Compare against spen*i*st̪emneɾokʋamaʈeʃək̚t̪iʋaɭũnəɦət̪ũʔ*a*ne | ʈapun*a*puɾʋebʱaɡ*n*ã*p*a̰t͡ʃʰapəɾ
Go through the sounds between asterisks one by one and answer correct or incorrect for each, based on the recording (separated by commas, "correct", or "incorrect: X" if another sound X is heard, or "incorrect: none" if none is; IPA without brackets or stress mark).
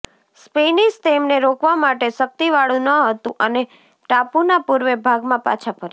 correct, incorrect: ə, correct, incorrect: m, correct